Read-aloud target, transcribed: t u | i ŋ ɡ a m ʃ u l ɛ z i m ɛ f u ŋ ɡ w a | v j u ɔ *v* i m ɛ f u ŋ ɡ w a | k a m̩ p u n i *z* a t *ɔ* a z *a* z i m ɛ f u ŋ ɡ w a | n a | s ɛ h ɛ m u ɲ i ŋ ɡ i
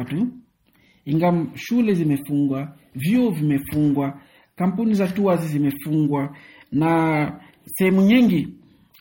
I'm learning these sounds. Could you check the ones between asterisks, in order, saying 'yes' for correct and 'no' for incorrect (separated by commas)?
yes, yes, no, no